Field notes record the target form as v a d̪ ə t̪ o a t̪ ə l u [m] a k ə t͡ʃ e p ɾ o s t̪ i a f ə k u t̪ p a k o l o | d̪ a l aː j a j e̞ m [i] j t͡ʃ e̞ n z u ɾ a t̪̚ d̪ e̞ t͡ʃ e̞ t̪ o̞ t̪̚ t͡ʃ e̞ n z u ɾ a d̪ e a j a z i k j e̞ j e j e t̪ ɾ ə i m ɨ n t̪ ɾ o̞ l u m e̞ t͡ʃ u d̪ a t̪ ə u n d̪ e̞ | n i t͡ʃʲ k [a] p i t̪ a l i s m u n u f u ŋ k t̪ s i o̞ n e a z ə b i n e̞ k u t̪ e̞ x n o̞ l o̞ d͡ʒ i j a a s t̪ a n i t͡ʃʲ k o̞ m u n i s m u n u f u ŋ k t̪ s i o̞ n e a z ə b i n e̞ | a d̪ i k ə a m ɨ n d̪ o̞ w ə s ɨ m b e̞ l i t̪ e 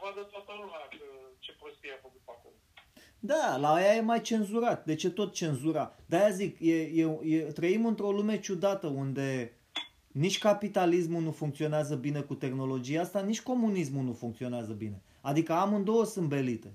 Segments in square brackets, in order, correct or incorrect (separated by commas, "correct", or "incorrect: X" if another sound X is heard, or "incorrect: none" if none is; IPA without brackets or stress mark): correct, incorrect: a, correct